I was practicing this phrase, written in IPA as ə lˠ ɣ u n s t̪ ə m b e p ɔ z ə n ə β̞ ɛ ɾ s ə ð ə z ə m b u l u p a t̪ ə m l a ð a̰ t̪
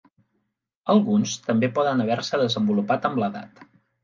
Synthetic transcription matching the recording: ə lˠ ɣ u n s t̪ ə m b e p ɔ ð ə n ə β̞ ɛ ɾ s ə ð ə z ə m b u l u p a t̪ ə m l ə ð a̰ t̪

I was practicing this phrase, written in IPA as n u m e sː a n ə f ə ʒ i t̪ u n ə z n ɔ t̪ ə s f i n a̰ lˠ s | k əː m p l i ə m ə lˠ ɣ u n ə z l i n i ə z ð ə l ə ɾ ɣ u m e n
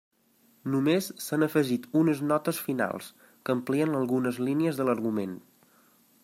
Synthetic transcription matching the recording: n u m e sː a n ə f ə ʒ i t̪ u n ə z n ɔ t̪ ə s f i n a̰ lˠ s | k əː m p l i ə n ə lˠ ɣ u n ə z l i n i ə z ð ə l ə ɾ ɣ u m e n

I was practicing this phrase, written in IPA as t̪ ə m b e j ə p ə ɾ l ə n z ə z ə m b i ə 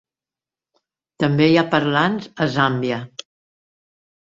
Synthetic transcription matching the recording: t̪ ə m b e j a p ə ɾ l a n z ə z a m b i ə

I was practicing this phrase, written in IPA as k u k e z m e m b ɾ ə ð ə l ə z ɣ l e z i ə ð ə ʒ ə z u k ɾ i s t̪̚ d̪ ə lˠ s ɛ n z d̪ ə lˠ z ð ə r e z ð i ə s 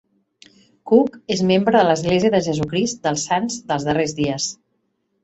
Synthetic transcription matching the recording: k u k e z m e m b ɾ ə ð ə l ə z ɣ l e z i ə ð ə ʒ ə z u k ɾ i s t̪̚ d̪ ə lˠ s a n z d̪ ə lˠ z ð ə r e z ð i ə s

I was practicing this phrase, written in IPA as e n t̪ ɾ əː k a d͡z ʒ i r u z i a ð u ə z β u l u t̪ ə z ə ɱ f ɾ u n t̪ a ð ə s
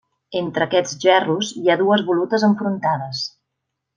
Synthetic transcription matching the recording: e n t̪ ɾ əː k ɛ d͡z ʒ ɛ r u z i a ð u ə z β u l u t̪ ə z ə ɱ f ɾ u n t̪ a ð ə s

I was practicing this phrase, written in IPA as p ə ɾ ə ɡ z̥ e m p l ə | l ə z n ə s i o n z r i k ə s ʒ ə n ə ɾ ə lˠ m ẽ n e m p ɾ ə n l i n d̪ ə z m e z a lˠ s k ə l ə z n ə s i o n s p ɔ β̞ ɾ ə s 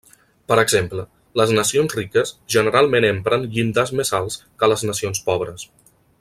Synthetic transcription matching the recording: p ə ɾ ə ɡ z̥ e m p l ə | l ə z n ə s i o n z r i k ə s ʒ ə n ə ɾ a lˠ m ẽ n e m p ɾ ə n ʎ i n d̪ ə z m e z a lˠ s k ə l ə z n ə s i o n s p ɔ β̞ ɾ ə s

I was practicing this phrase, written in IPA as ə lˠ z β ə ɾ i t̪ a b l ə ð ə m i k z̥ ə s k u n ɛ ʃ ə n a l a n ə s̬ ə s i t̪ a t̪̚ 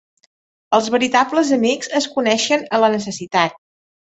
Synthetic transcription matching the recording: ə lˠ z β ə ɾ i t̪ a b l ə z ə m i k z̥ ə s k u n ɛ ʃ ə n ə l ə n ə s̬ ə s i t̪ a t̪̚

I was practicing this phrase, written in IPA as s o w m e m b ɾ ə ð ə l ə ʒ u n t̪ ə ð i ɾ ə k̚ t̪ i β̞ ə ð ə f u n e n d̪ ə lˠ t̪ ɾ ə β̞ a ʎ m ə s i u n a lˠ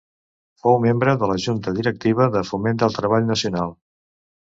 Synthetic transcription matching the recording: f o w m e m b ɾ ə ð ə l ə ʒ u n t̪ ə ð i ɾ ə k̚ t̪ i β̞ ə ð ə f u m e n d̪ ə lˠ t̪ ɾ ə β̞ a ʎ n ə s i u n a lˠ

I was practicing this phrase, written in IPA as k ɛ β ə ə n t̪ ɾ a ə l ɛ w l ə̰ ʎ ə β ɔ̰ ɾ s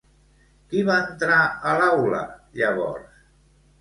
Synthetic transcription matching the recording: k i β a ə n t̪ ɾ a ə l a w l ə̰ ʎ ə β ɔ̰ ɾ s

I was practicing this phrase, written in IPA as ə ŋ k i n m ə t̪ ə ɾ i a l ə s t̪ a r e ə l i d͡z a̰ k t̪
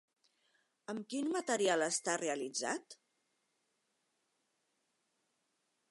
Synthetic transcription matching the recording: ə m k i n m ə t̪ ə ɾ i a l ə s t̪ a r e ə l i d͡z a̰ t̪

